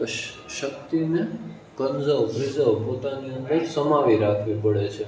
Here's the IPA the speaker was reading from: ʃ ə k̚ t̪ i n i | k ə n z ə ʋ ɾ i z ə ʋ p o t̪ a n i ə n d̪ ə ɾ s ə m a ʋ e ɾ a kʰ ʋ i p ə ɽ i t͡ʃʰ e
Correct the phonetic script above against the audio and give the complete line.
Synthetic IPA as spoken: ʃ ə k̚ t̪ i n e | k ə n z ə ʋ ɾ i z ə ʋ p o t̪ a n i ə n d̪ ə ɾ s ə m a ʋ i ɾ a kʰ ʋ i p ə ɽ e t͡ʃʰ e